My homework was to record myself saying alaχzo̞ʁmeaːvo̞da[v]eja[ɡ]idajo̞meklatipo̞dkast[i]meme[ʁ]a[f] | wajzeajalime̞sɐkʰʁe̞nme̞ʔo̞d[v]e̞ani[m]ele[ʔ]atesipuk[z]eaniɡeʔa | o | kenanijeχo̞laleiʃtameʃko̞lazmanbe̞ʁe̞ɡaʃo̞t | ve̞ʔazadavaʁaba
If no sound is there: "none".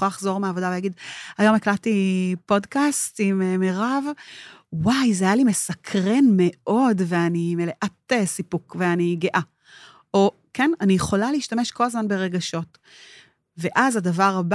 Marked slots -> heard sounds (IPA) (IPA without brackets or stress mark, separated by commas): v, ɡ, i, ʁ, v, v, m, ʔ, v